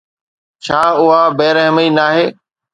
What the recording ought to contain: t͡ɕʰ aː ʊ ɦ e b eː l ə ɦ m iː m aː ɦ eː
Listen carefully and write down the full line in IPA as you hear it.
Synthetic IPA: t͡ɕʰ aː ʊ ɦ a b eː ɾ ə ɦ m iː n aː ɦ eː